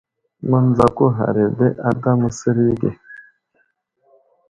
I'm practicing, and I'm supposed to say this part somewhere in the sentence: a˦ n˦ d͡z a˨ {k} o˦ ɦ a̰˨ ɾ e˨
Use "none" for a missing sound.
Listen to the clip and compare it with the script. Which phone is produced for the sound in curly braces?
k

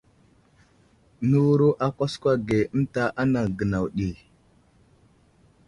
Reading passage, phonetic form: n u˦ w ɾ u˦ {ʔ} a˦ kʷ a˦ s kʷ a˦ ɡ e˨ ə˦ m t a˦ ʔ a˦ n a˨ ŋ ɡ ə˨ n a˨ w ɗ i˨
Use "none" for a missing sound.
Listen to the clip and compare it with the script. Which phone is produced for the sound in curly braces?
ʔ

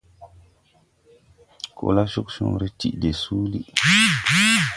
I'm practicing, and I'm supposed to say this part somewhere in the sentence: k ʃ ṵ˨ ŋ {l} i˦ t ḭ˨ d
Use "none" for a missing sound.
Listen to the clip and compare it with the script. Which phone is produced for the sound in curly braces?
ɾ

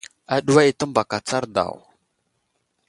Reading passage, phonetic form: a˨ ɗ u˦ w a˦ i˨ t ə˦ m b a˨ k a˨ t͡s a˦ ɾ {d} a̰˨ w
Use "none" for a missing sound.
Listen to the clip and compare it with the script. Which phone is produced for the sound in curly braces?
d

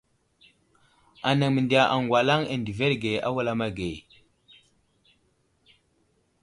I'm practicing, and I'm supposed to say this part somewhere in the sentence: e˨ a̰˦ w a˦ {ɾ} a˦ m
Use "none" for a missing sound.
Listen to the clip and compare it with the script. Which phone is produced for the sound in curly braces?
l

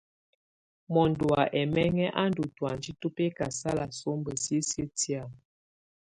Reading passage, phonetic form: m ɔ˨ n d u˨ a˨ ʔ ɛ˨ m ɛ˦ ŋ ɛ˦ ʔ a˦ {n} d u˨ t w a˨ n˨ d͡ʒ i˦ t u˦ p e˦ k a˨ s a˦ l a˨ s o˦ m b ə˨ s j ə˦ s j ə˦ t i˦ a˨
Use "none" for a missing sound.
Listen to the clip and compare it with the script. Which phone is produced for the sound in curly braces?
n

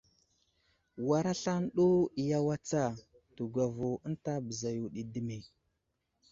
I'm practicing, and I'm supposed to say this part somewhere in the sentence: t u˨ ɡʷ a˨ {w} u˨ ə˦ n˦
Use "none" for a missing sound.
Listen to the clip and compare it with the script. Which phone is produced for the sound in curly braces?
v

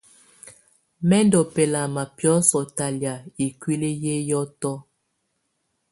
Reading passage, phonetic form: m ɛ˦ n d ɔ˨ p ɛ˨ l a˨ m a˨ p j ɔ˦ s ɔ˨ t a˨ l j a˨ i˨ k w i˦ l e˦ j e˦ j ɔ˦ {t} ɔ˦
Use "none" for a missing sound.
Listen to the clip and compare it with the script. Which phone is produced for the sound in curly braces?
t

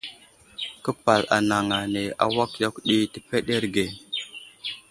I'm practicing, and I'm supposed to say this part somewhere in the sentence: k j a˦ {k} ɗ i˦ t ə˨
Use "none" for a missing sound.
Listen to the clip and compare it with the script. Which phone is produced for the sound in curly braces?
k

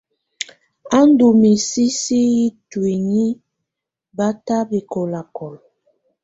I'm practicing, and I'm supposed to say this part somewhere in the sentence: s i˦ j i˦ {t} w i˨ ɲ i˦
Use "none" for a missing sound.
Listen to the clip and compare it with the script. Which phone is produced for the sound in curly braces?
t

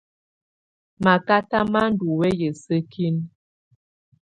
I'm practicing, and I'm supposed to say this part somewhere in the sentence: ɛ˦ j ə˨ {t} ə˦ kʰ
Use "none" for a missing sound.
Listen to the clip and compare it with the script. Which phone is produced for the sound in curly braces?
s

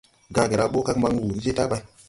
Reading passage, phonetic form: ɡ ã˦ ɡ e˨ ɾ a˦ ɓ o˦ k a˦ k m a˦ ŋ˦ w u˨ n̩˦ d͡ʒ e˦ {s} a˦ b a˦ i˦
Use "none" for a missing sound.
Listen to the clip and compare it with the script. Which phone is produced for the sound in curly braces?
t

